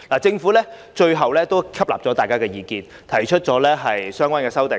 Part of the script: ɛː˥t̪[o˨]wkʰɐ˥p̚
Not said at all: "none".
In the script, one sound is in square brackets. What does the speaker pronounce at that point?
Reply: o˥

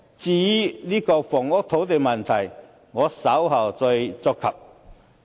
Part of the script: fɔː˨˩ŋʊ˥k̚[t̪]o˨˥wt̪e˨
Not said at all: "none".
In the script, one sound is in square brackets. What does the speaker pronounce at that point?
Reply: t̪ʰ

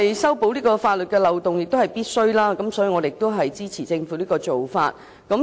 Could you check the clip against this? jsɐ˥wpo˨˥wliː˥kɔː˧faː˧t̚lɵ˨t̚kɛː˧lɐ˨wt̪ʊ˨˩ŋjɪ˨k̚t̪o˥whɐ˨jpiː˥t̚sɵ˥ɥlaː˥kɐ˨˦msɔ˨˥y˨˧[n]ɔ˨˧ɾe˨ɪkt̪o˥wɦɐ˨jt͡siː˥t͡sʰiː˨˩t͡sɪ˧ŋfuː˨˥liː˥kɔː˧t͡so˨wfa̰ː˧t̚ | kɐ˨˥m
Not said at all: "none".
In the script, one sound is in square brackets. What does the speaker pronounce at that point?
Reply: ŋ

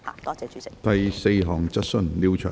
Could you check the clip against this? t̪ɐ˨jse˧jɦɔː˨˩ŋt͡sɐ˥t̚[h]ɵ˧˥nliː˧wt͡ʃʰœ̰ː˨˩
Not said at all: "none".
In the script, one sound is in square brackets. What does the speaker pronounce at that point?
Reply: s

